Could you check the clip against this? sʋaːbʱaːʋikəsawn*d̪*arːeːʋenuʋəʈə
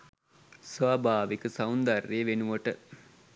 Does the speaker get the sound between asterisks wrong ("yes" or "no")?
no